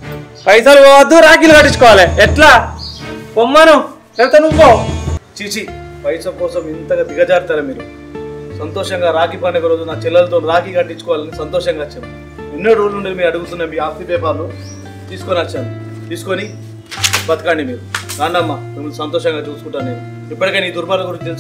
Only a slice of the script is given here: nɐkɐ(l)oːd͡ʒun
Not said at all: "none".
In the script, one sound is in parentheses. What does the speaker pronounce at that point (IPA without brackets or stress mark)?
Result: ɾ